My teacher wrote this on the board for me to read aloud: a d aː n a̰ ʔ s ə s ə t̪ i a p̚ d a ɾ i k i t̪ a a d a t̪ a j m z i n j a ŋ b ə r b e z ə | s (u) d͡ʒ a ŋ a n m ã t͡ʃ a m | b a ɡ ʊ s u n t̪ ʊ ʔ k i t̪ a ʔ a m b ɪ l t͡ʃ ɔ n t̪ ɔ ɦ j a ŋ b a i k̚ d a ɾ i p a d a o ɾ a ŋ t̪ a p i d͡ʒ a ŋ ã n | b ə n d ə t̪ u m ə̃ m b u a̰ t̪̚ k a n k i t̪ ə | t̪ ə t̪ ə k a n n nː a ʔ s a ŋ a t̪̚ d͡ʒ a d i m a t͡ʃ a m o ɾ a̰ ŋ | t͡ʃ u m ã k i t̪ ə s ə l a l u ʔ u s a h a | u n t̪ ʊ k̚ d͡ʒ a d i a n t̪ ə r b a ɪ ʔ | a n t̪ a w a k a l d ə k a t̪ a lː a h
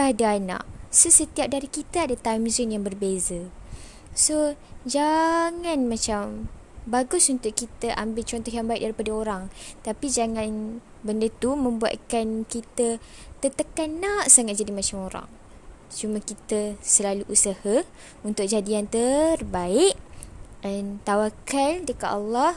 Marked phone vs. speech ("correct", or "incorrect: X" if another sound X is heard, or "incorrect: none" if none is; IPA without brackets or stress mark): incorrect: o